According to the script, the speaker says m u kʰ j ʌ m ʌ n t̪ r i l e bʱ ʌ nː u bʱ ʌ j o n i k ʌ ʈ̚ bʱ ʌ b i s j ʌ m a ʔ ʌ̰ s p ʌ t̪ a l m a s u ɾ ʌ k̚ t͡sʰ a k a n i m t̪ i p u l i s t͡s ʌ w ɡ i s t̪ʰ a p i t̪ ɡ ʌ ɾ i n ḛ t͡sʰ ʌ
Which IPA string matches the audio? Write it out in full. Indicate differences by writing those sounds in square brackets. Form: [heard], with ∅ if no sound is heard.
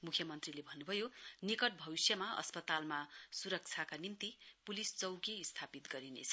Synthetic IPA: m u kʰ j ʌ m ʌ n t̪ r i l e bʱ ʌ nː u bʱ ʌ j o n i k ʌ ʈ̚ bʱ ʌ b i s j ʌ m a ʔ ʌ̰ s p ʌ t̪ a l m a s u ɾ ʌ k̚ t͡sʰ a k a n i m t̪ i p u l i s t͡s ʌ w ɡ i s t̪ʰ a p i t̪ ɡ ʌ ɾ i n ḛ t͡sʰ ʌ